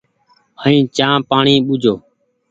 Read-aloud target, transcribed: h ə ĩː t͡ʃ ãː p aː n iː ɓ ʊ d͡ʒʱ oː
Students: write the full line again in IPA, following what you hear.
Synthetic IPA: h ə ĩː t͡ʃ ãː p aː ɳ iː ɓ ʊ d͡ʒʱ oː